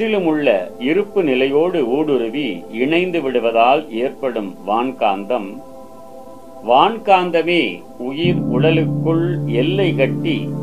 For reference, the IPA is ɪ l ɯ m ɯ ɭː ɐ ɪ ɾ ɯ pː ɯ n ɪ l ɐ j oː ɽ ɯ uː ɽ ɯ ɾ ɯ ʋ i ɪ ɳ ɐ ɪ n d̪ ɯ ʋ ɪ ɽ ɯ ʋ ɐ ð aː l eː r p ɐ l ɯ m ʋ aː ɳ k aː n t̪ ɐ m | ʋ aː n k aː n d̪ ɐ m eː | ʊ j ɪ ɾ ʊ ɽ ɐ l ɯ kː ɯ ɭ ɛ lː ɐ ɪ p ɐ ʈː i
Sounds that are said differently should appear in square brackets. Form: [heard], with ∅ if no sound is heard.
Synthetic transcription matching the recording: ɪ l ɯ m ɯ ɭː ɐ ɪ ɾ ɯ pː ɯ n ɪ l ɐ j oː ɽ ɯ uː ɽ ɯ ɾ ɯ ʋ i ɪ ɳ ɐ ɪ n d̪ ɯ ʋ ɪ ɽ ɯ ʋ ɐ ð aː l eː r p ɐ [ɽ] ɯ m ʋ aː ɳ k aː n [d̪] ɐ m | ʋ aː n k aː n d̪ ɐ m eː | ʊ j ɪ ɾ ʊ ɽ ɐ l ɯ kː ɯ ɭ ɛ lː ɐ ɪ [k] ɐ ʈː i